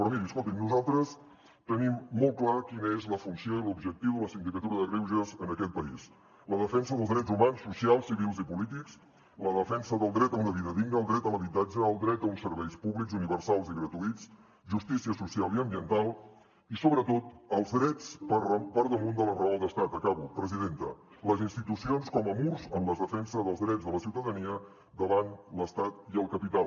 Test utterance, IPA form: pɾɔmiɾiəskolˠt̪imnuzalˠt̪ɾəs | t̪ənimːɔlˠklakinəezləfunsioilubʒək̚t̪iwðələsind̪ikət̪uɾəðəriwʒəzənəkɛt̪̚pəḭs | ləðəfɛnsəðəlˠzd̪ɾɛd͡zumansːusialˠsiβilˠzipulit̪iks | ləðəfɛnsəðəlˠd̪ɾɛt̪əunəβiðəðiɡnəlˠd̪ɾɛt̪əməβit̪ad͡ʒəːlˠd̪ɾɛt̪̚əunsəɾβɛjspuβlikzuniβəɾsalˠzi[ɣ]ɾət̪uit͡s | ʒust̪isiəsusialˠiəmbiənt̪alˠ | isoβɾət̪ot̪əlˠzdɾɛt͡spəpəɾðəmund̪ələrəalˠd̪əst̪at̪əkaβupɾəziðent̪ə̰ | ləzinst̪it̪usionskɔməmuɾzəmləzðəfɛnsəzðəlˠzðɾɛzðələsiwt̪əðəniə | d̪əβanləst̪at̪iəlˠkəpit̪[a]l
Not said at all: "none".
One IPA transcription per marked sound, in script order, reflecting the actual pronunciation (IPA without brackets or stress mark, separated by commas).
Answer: ɣ, a